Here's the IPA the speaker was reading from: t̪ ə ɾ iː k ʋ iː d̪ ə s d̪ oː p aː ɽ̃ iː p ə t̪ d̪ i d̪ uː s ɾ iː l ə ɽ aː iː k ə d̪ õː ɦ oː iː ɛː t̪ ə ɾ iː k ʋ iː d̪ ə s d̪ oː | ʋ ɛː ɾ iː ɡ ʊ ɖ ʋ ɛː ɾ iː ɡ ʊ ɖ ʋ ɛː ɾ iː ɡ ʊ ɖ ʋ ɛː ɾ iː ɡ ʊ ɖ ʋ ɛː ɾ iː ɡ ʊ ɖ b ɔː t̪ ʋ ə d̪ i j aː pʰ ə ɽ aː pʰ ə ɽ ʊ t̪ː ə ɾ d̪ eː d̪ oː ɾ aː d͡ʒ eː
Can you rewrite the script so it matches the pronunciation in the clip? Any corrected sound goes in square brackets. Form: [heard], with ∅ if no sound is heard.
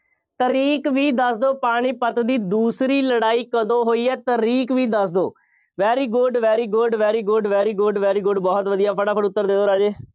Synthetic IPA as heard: t̪ ə ɾ iː k ʋ iː d̪ ə s d̪ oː p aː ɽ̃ iː p ə t̪ d̪ [iː] d̪ uː s ɾ iː l ə ɽ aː iː k ə d̪ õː ɦ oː iː ɛː t̪ ə ɾ iː k ʋ iː d̪ ə s d̪ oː | ʋ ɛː ɾ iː ɡ ʊ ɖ ʋ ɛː ɾ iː ɡ ʊ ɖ ʋ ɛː ɾ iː ɡ ʊ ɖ ʋ ɛː ɾ iː ɡ ʊ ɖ ʋ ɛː ɾ iː ɡ ʊ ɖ b ɔː t̪ ʋ ə d̪ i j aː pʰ ə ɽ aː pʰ ə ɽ ʊ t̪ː ə ɾ d̪ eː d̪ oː ɾ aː d͡ʒ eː